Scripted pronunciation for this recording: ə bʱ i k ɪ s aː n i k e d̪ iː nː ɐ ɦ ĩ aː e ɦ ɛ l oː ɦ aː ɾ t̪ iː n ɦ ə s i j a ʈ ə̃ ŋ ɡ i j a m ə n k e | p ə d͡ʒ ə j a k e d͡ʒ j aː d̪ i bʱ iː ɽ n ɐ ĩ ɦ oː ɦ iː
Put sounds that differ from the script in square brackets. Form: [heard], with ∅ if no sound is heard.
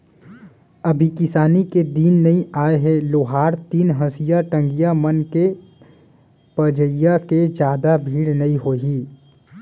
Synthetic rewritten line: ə bʱ i k ɪ s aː n i k e d̪ iː nː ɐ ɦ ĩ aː e ɦ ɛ l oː ɦ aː ɾ t̪ iː n ɦ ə s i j a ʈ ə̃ ŋ ɡ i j a m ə n k e | p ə d͡ʒ ə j a k e d͡ʒ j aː d̪ [a] bʱ iː ɽ n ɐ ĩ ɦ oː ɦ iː